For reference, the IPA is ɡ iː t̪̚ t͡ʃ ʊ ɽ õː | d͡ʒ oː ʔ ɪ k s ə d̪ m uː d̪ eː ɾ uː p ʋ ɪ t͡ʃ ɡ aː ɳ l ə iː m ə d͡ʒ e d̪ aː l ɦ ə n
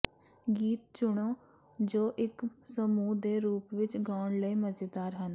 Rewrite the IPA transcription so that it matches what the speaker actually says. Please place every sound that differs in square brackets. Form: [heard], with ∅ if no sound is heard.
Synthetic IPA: ɡ iː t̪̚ t͡ʃ ʊ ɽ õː | d͡ʒ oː ʔ ɪ k s ə [∅] m uː d̪ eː ɾ uː p ʋ ɪ t͡ʃ ɡ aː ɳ l ə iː m ə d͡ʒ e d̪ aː [ɾ] ɦ ə n